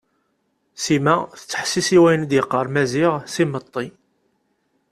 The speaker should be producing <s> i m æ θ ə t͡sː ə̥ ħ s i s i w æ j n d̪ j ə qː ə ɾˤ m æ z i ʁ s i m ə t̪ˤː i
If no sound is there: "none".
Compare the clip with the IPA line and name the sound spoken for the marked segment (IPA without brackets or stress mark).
s